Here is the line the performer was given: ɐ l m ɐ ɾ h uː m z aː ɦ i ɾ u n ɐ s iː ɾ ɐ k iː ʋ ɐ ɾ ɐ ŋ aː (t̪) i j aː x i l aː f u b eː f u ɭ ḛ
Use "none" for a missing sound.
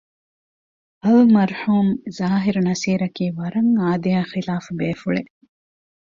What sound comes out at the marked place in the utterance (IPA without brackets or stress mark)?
d̪